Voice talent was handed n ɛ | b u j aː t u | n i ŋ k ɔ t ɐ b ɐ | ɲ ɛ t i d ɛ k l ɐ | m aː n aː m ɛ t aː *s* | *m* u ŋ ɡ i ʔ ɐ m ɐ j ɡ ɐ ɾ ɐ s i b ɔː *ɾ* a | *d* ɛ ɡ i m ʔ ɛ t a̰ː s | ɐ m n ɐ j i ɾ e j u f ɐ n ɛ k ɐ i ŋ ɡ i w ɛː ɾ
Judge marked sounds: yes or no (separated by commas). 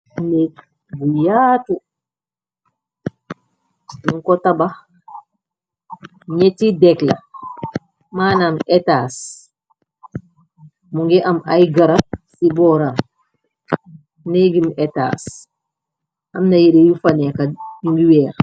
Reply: yes, yes, yes, no